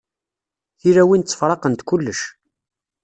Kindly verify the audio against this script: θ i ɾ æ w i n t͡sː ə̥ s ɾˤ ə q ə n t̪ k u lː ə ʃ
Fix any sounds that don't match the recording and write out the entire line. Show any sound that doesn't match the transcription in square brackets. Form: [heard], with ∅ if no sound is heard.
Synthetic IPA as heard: θ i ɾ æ w i n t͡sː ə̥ [f] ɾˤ [ɑ] q ə n t̪ k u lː ə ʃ